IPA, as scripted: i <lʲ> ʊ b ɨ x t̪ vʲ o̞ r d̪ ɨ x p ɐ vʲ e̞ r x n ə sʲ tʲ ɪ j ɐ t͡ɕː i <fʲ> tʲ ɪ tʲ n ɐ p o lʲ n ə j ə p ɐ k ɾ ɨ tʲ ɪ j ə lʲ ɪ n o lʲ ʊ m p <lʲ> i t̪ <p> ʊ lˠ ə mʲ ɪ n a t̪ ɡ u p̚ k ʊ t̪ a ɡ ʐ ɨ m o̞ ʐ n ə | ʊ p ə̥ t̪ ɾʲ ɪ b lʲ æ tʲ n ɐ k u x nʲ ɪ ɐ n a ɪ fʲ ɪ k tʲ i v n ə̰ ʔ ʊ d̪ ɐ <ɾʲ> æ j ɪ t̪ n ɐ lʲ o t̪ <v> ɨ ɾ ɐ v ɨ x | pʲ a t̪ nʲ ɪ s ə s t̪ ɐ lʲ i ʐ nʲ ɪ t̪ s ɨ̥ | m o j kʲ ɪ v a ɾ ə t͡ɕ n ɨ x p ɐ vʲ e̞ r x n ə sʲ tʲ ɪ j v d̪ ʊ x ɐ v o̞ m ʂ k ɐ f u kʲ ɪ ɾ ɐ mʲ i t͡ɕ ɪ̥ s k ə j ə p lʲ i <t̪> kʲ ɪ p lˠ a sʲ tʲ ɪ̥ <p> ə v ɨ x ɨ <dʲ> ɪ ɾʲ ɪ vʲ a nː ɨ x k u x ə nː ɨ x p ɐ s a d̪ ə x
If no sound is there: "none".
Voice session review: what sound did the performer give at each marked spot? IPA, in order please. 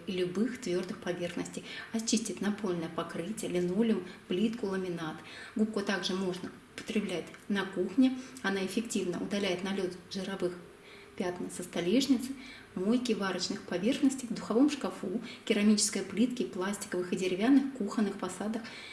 lʲ, sʲ, lʲ, k, lʲ, ʐ, t̪, k, dʲ

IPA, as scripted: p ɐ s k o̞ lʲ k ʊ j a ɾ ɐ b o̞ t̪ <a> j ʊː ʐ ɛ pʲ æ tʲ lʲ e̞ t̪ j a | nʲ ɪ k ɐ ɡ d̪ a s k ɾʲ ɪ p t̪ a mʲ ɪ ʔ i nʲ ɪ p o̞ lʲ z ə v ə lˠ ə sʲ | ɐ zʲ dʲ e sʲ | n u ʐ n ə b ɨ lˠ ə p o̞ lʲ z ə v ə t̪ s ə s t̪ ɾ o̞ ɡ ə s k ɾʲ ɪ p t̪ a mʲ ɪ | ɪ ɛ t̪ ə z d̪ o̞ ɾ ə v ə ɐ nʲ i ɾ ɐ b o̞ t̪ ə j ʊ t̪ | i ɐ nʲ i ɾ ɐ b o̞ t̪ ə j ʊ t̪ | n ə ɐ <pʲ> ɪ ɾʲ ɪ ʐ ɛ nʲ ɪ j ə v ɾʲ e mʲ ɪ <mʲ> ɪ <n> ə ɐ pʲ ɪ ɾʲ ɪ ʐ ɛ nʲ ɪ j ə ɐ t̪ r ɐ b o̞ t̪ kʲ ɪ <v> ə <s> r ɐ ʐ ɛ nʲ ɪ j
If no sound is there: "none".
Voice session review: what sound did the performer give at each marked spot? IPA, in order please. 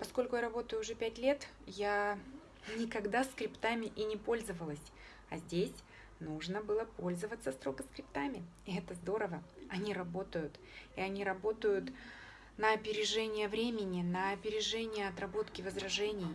ə, pʲ, nʲ, n, v, z

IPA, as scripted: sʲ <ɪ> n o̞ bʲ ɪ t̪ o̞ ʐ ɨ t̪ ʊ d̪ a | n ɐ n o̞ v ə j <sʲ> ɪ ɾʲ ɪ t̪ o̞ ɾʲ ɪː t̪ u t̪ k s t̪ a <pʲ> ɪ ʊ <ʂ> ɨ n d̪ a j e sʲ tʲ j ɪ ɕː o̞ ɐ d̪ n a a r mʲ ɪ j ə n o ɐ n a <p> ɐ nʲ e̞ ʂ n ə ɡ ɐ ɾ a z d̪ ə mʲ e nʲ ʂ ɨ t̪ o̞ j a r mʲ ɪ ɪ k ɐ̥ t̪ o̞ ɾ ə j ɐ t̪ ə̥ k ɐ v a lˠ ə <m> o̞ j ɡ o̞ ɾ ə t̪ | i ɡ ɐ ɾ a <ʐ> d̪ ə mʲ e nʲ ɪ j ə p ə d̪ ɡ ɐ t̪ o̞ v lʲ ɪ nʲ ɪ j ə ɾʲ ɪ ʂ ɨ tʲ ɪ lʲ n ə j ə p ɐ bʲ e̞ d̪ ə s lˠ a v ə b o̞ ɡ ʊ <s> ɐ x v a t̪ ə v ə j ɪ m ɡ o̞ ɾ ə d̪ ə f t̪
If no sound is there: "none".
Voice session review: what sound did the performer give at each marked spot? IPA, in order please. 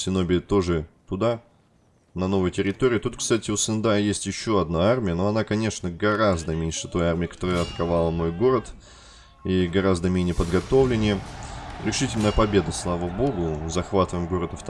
ɪ, tʲ, tʲ, s, k, m, z, z

